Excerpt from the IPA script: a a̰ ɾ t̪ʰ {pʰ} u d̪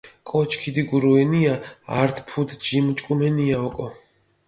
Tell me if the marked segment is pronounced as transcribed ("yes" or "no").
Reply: yes